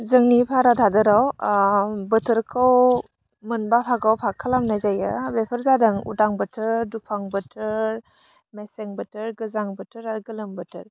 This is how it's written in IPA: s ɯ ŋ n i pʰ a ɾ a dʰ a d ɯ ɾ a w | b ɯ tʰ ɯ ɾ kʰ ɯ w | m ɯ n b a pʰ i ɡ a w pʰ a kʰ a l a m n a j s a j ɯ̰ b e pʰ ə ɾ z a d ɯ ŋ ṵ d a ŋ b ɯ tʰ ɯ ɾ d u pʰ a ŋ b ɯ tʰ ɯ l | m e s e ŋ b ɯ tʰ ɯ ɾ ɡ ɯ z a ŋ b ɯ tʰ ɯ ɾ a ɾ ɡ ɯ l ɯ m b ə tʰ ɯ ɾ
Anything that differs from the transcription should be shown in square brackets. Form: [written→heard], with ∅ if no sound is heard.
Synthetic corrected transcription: [s→z] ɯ ŋ n i pʰ a ɾ a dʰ a d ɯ ɾ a w | b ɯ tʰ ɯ ɾ kʰ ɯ w | m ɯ n b a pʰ [i→a] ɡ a w pʰ a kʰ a l a m n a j [s→z] a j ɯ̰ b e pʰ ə ɾ z a d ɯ ŋ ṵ d a ŋ b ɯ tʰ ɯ ɾ d u pʰ a ŋ b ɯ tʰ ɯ [l→ɾ] | m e s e ŋ b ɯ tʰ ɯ ɾ ɡ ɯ z a ŋ b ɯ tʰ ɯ ɾ a ɾ ɡ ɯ l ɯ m b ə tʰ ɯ ɾ